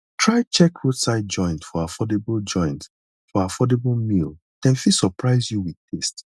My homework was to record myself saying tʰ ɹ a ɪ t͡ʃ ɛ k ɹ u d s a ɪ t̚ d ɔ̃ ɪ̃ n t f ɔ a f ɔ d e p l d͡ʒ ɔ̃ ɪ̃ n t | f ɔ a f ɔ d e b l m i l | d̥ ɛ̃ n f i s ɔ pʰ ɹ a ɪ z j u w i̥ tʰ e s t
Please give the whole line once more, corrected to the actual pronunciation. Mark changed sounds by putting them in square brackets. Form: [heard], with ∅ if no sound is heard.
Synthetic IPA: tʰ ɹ a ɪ t͡ʃ ɛ k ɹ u d s a ɪ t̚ [d͡ʒ] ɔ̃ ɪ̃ n t f ɔ a f ɔ d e [b] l d͡ʒ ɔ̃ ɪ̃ n t | f ɔ a f ɔ d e b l m i l | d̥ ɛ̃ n f i s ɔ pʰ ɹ a ɪ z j u w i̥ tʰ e s t

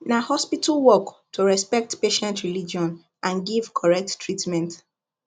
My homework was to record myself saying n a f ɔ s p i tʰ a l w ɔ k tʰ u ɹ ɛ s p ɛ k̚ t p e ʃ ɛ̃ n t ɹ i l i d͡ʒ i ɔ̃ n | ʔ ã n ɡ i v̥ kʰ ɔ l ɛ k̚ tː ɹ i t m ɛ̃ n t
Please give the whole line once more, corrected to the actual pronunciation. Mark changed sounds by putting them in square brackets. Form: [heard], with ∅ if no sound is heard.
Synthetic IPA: n a [h] ɔ s p i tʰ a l w ɔ k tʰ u ɹ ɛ s p ɛ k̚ t p e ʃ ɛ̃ n t ɹ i l i d͡ʒ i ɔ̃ n | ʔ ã n ɡ i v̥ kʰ ɔ [ɹ] ɛ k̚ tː ɹ i t m ɛ̃ n t

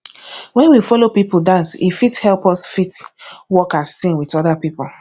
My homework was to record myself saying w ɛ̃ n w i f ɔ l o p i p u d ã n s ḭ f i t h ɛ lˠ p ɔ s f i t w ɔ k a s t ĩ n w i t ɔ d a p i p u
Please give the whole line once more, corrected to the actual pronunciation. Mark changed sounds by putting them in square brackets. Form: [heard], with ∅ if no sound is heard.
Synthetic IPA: w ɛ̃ n w i f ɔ l o p i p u d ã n s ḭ f i t h ɛ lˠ p ɔ s f i t w ɔ k a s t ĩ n w i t ɔ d a p i p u

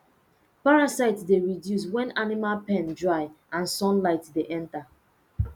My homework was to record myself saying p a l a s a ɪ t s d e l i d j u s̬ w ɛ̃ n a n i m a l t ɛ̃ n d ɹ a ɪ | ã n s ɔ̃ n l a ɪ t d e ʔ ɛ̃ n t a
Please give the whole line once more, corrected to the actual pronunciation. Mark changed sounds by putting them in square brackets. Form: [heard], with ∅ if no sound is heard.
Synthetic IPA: p a [ɹ] a s a ɪ t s d e [ɹ] i d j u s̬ w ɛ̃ n a n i m a l [p] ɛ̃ n d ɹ a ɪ | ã n s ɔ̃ n l a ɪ t d e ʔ ɛ̃ n t a

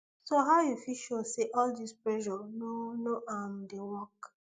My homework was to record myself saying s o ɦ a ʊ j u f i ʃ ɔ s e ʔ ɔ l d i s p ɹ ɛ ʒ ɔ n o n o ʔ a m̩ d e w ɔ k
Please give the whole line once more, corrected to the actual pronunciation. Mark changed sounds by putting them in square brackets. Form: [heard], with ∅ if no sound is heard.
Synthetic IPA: s o ɦ a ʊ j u f i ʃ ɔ s e ʔ ɔ l d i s p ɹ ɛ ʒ ɔ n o n o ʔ a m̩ d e w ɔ k

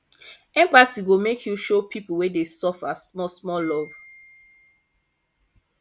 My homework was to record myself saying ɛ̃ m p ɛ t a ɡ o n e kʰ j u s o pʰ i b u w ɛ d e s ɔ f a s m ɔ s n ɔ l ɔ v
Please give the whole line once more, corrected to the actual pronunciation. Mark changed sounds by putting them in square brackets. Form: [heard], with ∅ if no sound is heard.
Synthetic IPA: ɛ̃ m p [a] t [i] ɡ o [m] e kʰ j u [ʃ] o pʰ i [p] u w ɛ d e s ɔ f a s m ɔ s [m] ɔ l ɔ v

